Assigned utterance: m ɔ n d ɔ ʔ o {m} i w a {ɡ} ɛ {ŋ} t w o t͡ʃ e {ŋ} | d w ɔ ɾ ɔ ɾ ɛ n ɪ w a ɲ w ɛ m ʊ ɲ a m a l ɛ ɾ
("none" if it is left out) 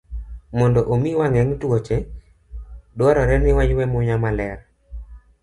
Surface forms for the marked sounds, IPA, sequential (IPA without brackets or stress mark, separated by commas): m, ŋ, ŋ, none